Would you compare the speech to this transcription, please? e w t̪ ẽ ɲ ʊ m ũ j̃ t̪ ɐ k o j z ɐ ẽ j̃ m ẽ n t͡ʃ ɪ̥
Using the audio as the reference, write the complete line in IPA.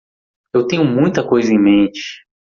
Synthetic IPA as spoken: e w t̪ ẽ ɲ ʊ m ũ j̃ t̪ ɐ k o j z ɐ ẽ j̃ m ẽ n t͡ʃ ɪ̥